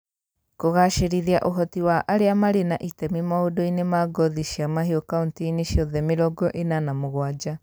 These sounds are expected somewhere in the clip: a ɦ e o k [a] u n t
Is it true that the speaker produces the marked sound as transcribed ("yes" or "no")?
yes